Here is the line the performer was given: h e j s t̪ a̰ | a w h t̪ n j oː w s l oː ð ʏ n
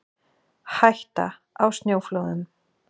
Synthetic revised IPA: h a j h t̪ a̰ | a w s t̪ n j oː w f l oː ð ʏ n